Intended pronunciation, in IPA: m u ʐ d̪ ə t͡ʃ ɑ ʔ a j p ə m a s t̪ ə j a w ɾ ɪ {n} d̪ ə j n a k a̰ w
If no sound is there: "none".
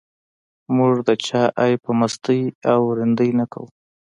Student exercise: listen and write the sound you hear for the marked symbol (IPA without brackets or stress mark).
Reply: n